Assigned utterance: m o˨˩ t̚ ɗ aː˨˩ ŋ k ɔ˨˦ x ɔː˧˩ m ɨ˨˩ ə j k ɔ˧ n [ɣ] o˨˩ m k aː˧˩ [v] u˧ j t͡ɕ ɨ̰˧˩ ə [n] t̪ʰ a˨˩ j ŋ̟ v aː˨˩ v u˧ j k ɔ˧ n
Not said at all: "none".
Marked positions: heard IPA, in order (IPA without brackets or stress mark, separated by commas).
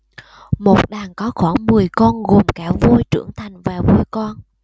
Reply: ɣ, v, ŋ